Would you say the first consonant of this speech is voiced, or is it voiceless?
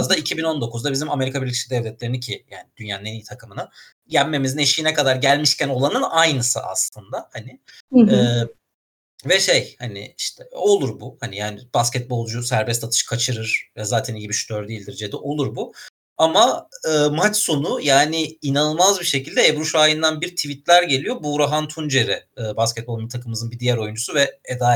voiced